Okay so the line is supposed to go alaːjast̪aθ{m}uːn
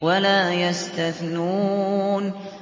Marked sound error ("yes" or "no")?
yes